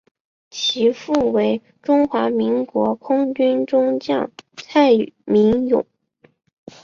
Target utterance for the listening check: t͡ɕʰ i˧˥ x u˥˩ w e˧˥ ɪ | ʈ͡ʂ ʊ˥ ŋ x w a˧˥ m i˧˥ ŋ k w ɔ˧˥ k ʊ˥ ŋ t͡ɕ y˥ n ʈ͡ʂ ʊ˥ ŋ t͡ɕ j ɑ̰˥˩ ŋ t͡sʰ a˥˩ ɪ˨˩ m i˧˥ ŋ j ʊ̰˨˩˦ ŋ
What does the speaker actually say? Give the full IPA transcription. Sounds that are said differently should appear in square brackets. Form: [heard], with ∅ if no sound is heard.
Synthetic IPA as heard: t͡ɕʰ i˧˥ [f] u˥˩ w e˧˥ ɪ | ʈ͡ʂ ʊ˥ ŋ x w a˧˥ m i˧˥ ŋ k w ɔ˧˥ [kʰ] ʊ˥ ŋ t͡ɕ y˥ n ʈ͡ʂ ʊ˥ ŋ t͡ɕ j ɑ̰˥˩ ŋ t͡sʰ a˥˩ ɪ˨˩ m i˧˥ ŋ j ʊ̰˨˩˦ ŋ